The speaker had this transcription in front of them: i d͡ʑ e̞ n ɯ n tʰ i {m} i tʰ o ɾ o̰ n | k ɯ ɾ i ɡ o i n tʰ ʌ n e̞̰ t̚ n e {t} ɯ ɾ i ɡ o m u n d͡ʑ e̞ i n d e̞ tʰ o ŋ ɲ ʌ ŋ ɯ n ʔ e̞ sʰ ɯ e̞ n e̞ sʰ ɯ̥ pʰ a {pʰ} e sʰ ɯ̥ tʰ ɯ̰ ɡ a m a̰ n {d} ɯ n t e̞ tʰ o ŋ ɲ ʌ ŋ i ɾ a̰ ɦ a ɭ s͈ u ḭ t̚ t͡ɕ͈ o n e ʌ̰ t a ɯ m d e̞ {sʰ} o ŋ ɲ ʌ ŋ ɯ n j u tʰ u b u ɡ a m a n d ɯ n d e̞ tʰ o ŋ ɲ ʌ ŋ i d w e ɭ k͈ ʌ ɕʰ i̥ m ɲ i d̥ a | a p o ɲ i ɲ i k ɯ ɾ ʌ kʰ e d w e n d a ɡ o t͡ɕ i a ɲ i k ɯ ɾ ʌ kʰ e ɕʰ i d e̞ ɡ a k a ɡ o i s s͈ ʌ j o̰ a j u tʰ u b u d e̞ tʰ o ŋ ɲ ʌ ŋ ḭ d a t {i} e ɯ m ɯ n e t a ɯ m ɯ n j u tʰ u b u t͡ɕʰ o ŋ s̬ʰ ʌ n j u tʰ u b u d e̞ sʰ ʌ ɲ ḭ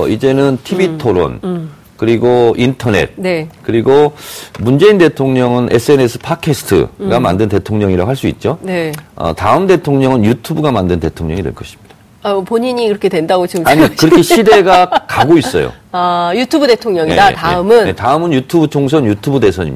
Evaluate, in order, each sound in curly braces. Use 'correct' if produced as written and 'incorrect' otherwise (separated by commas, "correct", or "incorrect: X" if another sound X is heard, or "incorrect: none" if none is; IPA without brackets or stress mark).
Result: incorrect: b, incorrect: k, incorrect: kʰ, correct, incorrect: tʰ, incorrect: a